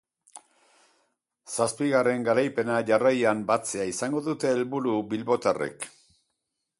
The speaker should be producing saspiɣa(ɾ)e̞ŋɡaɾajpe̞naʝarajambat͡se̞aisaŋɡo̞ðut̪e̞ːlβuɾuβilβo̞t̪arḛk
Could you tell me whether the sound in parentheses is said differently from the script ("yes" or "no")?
yes